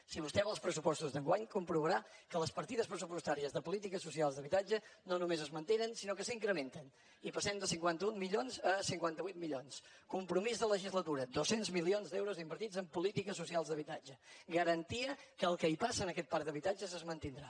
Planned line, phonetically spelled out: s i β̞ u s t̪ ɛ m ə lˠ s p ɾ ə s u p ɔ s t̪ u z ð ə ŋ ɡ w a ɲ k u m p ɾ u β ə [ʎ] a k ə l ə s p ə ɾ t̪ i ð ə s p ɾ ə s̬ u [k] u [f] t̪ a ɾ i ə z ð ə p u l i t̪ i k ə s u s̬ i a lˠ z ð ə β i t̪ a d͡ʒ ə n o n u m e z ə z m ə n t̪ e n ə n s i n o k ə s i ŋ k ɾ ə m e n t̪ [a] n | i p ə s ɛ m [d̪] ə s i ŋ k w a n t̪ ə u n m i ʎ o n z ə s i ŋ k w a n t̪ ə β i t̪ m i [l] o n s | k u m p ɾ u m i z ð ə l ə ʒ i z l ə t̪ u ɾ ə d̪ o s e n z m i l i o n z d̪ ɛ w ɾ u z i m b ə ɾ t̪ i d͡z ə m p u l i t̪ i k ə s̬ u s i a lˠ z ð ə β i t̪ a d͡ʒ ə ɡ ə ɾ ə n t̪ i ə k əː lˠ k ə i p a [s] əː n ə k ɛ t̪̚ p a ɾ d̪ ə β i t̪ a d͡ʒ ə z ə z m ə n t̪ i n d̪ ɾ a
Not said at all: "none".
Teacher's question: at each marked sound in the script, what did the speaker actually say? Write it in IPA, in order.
ɾ, p, s, ə, d̪, ʎ, s

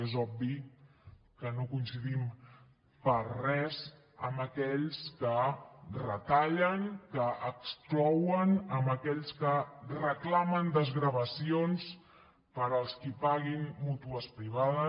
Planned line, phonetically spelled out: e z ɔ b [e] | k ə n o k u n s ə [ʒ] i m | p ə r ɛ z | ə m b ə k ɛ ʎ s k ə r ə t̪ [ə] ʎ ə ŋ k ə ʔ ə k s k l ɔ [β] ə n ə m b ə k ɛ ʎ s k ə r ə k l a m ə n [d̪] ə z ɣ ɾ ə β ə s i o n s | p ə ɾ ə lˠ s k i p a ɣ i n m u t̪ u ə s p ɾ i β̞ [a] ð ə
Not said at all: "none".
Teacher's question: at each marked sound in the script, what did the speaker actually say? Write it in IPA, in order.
i, ð, a, w, d̪, a

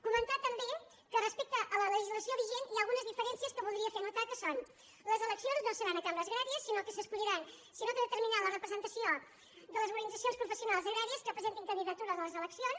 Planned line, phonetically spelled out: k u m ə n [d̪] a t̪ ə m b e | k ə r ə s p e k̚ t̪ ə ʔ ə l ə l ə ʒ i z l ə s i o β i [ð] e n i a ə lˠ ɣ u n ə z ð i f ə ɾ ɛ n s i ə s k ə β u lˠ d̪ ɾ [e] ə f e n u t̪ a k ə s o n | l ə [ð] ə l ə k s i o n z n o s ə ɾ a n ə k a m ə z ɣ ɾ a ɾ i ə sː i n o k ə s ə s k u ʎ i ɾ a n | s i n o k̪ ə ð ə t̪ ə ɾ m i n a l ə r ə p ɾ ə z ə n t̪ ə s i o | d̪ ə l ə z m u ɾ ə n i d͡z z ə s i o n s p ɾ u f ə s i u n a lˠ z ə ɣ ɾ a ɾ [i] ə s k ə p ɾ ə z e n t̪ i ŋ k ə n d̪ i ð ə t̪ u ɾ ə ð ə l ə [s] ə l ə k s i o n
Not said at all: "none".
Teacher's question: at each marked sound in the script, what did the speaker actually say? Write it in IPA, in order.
t̪, ʒ, i, z, i, z

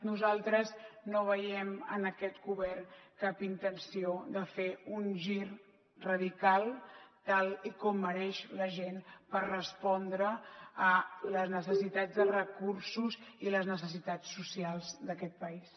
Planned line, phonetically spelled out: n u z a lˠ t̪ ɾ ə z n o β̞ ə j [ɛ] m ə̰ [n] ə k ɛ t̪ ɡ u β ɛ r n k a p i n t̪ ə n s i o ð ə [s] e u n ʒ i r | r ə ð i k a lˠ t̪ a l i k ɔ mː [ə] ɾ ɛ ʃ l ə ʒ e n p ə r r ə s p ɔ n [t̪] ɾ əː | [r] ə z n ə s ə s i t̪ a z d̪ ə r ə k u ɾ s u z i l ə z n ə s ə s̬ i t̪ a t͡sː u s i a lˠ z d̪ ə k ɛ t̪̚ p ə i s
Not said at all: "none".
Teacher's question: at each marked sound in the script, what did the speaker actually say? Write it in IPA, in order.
ɛ, n, f, ə, d̪, l

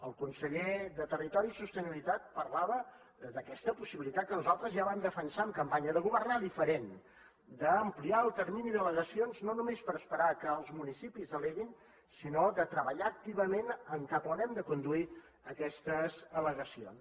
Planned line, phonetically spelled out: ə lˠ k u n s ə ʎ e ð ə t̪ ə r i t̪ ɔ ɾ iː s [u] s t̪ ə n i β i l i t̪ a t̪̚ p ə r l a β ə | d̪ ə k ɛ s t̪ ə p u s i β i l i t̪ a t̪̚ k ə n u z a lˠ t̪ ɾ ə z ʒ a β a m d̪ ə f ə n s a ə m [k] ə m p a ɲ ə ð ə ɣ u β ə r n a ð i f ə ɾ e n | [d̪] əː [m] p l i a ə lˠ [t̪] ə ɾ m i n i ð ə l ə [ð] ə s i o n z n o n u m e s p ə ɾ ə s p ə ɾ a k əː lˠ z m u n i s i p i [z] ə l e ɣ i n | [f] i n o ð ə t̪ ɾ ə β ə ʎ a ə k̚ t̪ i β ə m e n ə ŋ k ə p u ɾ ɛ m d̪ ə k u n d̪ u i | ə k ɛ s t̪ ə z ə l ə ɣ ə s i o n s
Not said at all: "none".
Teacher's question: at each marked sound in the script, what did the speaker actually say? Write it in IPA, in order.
u, k, d̪, m, t̪, ɣ, z, s

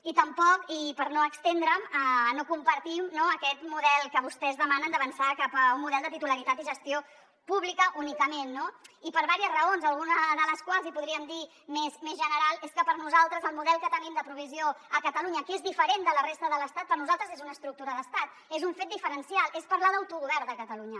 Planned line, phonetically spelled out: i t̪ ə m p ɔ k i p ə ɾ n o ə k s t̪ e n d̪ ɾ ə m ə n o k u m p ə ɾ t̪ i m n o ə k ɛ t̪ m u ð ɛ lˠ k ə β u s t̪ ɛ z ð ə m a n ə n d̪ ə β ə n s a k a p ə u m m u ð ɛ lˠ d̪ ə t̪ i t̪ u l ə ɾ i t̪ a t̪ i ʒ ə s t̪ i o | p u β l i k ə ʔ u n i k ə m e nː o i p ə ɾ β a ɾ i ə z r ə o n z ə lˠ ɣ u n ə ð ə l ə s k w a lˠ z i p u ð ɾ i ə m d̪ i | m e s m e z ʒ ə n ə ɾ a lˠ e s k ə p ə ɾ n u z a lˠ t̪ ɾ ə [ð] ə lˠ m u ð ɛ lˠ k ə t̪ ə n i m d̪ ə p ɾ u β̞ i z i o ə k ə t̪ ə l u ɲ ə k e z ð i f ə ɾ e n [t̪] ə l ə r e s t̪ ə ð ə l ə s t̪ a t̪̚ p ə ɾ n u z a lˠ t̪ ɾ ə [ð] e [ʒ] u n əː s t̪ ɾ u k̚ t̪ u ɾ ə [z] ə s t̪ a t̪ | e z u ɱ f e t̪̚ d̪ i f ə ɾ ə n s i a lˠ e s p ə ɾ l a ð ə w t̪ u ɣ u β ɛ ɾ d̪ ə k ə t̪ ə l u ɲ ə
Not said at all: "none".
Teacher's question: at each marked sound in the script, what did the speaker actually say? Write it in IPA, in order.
z, d̪, z, z, ð

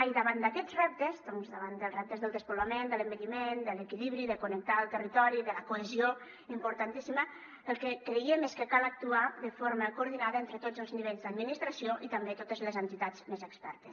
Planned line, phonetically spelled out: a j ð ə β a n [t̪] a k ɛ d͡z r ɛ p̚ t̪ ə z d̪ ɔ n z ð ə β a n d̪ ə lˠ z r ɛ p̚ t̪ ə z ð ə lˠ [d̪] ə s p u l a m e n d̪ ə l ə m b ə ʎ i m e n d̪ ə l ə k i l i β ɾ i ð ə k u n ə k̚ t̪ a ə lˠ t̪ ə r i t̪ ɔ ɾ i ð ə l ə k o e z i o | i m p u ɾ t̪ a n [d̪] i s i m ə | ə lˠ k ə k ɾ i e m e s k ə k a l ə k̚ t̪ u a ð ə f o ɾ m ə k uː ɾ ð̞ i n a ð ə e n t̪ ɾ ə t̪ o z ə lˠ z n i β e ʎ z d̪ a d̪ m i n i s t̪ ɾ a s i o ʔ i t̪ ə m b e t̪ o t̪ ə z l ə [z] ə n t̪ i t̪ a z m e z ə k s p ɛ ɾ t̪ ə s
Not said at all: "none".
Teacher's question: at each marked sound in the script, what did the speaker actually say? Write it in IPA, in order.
d̪, d̪, t̪, z

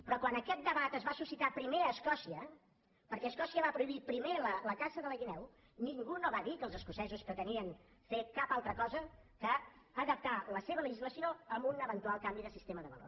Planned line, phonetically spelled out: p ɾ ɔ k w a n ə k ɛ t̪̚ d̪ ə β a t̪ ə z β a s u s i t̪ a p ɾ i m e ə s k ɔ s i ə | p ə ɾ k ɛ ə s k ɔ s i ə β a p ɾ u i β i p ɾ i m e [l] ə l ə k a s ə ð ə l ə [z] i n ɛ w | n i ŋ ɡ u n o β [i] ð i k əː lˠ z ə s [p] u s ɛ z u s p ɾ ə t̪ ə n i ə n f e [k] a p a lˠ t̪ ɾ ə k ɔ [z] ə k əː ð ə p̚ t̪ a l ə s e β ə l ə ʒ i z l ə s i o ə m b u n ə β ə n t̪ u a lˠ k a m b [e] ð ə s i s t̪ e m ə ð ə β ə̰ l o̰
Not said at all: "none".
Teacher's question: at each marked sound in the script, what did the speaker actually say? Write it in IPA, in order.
l, ɣ, a, k, k, z, i

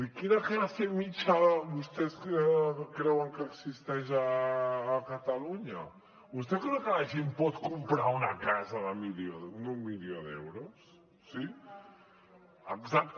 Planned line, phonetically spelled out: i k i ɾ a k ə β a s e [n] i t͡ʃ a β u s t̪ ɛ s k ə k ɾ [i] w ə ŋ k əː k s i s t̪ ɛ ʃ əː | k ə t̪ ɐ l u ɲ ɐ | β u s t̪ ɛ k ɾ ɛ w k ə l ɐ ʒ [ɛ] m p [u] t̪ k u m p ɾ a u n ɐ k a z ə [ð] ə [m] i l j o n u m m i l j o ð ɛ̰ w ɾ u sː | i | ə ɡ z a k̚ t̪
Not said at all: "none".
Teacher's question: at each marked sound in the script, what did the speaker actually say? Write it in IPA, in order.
m, ɛ, e, ɔ, ð, m

